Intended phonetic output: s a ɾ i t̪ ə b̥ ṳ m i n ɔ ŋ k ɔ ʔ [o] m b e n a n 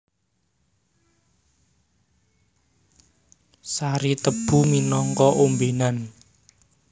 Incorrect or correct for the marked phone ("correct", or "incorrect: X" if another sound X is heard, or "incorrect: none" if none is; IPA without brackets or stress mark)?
correct